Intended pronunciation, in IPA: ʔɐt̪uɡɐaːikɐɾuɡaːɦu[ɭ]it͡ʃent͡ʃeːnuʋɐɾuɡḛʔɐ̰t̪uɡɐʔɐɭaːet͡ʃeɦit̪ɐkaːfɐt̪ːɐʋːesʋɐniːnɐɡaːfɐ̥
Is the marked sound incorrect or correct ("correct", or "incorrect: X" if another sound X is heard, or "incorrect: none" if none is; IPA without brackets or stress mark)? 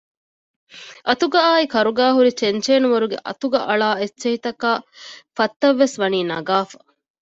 incorrect: ɾ